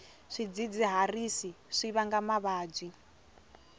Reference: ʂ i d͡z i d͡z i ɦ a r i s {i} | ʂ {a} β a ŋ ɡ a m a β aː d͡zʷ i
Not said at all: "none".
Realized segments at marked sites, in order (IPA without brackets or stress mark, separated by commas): i, i